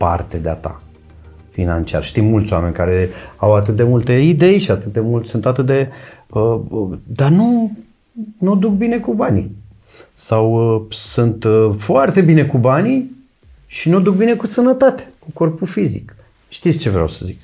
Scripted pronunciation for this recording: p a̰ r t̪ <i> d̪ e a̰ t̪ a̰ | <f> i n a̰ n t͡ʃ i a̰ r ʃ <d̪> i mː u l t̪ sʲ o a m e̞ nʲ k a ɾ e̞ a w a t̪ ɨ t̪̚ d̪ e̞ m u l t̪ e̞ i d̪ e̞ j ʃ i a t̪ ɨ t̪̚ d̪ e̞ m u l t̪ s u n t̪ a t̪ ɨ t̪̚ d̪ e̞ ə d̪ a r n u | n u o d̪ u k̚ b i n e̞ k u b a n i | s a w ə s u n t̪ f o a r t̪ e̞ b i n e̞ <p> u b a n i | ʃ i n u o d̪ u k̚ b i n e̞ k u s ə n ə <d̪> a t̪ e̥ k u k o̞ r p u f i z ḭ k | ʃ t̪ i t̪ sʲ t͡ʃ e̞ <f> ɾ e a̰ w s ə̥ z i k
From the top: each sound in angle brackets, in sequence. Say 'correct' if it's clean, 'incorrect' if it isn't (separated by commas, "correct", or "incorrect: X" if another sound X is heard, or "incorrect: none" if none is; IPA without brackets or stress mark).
incorrect: e, correct, incorrect: t̪, incorrect: k, incorrect: t̪, incorrect: v